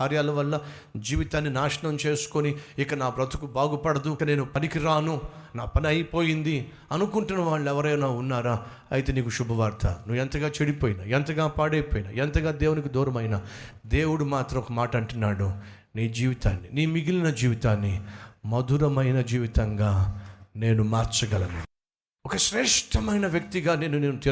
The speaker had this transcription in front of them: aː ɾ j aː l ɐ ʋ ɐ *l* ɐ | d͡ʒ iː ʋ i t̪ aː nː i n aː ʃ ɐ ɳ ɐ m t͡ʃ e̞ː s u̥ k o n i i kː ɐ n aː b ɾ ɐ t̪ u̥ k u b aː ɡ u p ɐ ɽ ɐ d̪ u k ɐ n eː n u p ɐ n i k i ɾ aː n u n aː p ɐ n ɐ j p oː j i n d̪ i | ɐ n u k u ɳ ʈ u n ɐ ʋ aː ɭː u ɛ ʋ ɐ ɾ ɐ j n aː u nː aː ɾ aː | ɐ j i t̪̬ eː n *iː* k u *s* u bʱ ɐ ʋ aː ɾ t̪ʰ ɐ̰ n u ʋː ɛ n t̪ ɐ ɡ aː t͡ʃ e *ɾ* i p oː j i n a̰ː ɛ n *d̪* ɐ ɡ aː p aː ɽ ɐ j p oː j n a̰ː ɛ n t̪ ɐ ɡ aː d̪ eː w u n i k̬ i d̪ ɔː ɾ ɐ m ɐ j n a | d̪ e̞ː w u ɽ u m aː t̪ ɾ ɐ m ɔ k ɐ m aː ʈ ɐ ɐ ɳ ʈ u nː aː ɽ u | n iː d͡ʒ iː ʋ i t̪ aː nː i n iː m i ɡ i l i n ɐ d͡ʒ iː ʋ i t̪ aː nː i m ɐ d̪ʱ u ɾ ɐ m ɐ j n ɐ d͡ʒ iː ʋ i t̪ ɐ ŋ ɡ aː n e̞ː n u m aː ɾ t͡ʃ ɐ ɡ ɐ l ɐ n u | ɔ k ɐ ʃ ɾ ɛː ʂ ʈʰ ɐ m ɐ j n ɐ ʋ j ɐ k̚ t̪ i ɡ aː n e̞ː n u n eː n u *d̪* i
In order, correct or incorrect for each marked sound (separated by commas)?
incorrect, correct, incorrect, incorrect, incorrect, incorrect